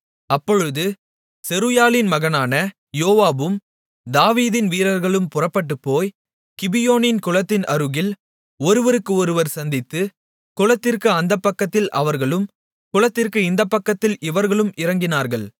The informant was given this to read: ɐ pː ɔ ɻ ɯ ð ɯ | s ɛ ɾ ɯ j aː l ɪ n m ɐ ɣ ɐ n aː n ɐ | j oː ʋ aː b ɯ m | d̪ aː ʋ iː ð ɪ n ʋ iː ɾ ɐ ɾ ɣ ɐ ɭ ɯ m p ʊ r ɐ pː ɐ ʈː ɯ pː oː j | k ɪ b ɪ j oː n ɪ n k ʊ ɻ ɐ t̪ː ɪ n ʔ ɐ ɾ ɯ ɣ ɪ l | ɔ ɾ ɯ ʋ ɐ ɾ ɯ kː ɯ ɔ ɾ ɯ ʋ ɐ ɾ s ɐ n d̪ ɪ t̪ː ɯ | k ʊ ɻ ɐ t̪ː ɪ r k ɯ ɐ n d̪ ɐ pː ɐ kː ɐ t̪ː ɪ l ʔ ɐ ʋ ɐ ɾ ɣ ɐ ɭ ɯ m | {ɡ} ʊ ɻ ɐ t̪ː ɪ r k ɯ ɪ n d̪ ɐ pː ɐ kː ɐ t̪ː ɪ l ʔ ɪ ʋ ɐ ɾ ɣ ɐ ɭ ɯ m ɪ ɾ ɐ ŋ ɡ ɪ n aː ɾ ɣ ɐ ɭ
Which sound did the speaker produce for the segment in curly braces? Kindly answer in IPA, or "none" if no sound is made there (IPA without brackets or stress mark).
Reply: k